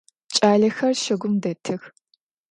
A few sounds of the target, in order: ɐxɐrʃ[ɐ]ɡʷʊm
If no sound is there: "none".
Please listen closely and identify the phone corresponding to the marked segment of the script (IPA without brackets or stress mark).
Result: ɐ